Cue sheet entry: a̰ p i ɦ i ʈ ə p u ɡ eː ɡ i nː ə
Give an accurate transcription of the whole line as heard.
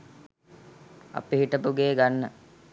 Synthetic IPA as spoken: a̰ p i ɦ i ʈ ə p u ɡ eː ɡ a nː ə